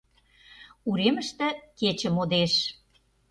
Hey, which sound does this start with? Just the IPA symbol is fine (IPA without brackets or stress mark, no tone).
u